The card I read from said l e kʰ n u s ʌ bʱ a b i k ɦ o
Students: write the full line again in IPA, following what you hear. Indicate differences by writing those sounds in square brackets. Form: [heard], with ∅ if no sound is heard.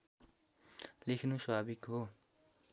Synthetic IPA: l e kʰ n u s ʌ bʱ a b i k ɦ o